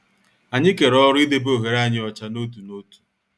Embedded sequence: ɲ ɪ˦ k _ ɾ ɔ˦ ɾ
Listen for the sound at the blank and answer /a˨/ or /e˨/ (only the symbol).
e˨